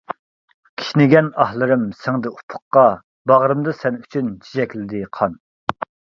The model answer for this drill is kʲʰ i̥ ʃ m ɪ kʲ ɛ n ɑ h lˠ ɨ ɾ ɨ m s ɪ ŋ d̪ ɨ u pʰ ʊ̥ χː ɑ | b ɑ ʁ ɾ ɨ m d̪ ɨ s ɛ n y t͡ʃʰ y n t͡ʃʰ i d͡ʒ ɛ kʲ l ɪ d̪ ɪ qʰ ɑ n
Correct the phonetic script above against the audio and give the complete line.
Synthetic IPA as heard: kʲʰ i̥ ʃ n ɪ ɡʲ ɛ n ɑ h lˠ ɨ ɾ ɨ m s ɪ ŋ d̪ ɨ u pʰ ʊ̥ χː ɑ | b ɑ ʁ ɾ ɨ m d̪ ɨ s ɛ n y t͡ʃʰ y n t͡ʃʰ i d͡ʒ ɛ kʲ l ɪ d̪ ɪ qʰ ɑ n